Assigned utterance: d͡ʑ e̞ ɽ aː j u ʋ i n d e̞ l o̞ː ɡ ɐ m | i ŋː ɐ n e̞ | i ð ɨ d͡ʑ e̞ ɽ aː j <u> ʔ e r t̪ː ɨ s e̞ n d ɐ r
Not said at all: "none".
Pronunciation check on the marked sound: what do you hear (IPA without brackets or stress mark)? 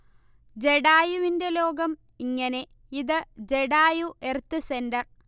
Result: u